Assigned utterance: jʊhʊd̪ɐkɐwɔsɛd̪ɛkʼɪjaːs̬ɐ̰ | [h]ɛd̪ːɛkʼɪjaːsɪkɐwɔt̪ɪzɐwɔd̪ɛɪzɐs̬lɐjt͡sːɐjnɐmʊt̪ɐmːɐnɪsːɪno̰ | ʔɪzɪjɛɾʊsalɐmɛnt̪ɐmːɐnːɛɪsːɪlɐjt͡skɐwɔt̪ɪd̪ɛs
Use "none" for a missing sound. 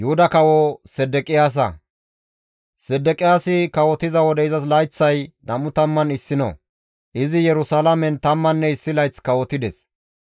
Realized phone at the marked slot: s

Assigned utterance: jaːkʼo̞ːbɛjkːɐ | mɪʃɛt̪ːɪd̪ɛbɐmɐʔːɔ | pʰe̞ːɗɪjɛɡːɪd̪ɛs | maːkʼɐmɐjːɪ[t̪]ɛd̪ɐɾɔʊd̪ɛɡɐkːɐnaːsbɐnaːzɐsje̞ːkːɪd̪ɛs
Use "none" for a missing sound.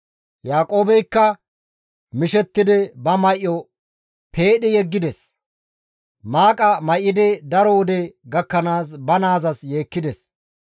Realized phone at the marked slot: d̪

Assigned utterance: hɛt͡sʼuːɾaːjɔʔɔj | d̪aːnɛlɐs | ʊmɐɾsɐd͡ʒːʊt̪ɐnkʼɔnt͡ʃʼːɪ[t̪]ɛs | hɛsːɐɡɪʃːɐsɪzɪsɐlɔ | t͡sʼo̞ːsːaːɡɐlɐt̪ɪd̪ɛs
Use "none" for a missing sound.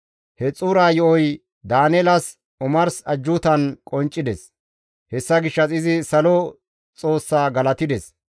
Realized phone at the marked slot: d̪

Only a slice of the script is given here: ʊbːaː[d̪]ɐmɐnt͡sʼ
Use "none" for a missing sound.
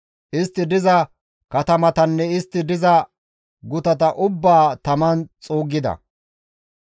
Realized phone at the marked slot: t̪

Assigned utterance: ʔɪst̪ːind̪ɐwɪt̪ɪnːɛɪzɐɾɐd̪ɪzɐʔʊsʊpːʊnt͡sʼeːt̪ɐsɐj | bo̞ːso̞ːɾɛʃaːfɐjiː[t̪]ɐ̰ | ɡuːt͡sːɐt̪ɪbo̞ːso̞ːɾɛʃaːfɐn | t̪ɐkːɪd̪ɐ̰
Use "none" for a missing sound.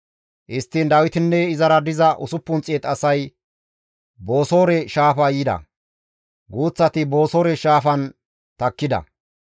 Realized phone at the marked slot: d̪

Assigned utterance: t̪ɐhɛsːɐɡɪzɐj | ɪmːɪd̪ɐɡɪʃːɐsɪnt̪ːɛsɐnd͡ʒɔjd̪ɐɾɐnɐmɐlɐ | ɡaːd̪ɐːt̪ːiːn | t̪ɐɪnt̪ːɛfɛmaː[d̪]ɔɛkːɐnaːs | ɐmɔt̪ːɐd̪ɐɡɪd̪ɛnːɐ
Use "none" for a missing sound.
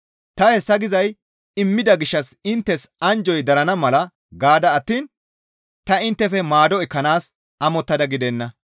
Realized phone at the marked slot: d̪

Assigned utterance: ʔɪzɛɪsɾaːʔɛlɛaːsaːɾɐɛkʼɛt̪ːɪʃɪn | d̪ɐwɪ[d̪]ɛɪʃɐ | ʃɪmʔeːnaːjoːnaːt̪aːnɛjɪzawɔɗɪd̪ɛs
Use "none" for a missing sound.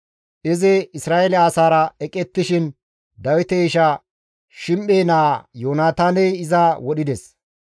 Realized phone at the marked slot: t̪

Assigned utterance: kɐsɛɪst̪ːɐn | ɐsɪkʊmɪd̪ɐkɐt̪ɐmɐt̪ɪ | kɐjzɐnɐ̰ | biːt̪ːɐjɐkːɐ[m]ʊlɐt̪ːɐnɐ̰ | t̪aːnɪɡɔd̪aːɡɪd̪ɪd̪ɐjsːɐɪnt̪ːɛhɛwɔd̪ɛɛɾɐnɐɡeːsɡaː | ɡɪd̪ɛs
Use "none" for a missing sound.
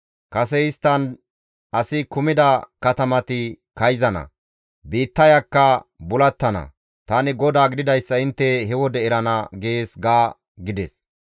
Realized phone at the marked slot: b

